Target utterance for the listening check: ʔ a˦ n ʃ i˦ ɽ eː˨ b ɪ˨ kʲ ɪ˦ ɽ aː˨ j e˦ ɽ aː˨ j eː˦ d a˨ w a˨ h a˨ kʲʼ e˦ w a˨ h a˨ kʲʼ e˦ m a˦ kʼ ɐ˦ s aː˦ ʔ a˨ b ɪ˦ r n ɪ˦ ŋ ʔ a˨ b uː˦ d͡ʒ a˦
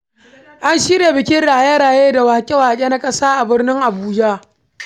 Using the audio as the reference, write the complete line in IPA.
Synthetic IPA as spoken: ʔ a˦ n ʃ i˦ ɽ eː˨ b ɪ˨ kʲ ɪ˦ ɽ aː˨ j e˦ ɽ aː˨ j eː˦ d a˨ w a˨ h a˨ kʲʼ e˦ w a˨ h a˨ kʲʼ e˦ n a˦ kʼ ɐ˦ s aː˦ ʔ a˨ b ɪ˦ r n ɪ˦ ŋ ʔ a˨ b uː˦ d͡ʒ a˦

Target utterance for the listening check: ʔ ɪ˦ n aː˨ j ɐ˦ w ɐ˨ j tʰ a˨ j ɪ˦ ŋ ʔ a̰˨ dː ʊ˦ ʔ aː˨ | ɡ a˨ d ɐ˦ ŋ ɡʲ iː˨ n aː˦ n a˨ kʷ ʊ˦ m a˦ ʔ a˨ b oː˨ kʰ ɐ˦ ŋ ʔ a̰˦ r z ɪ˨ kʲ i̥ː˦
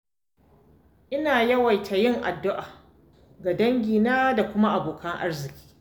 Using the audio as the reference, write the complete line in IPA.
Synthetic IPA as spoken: ʔ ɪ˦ n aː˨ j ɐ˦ w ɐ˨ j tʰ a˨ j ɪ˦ ŋ ʔ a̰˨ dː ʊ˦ ʔ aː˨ | ɡ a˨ d ɐ˦ ŋ ɡʲ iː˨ n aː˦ d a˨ kʷ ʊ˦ m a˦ ʔ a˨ b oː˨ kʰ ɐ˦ ŋ ʔ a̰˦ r z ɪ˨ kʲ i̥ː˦

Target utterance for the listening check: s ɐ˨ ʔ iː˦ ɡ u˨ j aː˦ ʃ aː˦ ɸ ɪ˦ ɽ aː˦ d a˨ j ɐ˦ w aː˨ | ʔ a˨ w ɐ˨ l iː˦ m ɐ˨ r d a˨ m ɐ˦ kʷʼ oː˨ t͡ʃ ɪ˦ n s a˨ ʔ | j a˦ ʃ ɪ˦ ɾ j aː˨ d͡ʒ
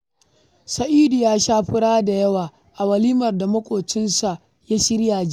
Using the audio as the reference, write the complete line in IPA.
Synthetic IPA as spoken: s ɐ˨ ʔ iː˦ d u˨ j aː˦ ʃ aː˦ ɸ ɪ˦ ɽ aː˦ d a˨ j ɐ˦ w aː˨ | ʔ a˨ w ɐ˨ l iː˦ m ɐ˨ r d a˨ m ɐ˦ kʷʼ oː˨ t͡ʃ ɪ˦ n s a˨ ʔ | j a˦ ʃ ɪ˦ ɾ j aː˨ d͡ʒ

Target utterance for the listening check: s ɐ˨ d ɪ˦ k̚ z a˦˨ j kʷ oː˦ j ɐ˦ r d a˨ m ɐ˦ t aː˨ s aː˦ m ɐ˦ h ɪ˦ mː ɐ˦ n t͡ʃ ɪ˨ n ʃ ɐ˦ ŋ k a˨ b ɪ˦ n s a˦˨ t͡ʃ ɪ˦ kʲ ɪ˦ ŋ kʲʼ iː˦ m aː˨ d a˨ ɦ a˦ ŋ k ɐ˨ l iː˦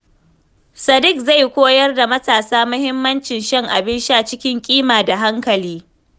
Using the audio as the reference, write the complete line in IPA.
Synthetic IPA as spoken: s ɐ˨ d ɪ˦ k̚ z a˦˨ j kʷ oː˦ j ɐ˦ r d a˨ m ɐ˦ t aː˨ s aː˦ m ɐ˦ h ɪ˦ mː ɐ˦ n t͡ʃ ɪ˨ n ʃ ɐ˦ ŋ ʔ a˨ b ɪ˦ n ʃ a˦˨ t͡ʃ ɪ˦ kʲ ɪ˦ ŋ kʲʼ iː˦ m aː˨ d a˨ ɦ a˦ ŋ k ɐ˨ l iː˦

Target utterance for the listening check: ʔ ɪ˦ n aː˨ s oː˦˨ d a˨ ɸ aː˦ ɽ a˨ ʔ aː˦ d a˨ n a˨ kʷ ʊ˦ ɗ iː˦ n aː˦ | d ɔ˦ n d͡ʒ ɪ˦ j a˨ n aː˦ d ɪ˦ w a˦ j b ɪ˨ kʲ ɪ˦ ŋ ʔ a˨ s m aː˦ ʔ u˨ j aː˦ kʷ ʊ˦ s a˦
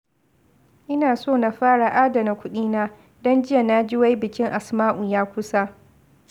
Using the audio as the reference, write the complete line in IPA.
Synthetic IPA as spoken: ʔ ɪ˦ n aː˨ s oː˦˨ n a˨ ɸ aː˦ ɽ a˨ ʔ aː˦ d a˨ n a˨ kʷ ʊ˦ ɗ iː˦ n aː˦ | d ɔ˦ n d͡ʒ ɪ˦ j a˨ n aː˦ d͡ʒ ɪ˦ w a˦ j b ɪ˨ kʲ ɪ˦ ŋ ʔ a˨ s m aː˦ ʔ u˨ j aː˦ kʷ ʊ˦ s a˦

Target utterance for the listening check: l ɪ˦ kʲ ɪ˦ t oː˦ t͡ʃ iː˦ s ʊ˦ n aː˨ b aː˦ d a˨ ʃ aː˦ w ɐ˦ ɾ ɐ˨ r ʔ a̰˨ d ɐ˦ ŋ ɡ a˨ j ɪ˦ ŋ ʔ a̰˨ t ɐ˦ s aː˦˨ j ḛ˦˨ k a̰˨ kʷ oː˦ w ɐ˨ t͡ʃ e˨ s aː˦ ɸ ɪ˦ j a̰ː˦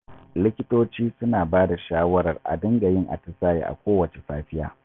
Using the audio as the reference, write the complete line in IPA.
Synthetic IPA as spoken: l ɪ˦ kʲ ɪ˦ t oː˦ t͡ʃ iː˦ s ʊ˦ n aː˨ b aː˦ d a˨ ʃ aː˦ w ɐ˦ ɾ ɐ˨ r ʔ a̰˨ d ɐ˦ ŋ ɡ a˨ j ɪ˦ ŋ ʔ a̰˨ t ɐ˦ s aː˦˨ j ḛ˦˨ ʔ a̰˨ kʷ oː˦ w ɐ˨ t͡ʃ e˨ s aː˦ ɸ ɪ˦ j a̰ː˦

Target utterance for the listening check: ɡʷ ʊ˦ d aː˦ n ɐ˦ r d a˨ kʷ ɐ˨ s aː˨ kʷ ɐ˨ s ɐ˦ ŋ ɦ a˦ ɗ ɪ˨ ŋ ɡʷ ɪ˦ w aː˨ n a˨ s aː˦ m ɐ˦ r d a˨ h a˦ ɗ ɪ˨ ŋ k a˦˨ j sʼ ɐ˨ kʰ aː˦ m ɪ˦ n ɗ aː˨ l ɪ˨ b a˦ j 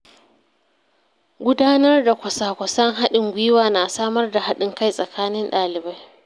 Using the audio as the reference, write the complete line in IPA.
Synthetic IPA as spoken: ɡʷ ʊ˦ d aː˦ n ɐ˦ r d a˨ kʷ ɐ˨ s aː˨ kʷ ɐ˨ s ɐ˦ ŋ ɦ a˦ ɗ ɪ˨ ŋ ɡʷ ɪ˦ w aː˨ n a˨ s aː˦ m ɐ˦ r d a˨ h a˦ ɗ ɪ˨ ŋ k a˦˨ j sʼ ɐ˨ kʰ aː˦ n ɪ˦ n ɗ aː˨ l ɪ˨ b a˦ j

